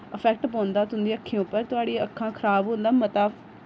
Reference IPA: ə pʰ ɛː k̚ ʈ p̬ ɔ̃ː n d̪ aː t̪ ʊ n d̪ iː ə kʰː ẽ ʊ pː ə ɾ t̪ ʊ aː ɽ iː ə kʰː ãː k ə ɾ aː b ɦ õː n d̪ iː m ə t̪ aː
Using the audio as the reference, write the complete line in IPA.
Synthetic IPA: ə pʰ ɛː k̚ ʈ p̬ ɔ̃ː n d̪ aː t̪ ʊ n d̪ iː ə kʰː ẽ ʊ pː ə ɾ t̪ ʊ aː ɽ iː ə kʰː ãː kʰ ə ɾ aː b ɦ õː n d̪ aː m ə t̪ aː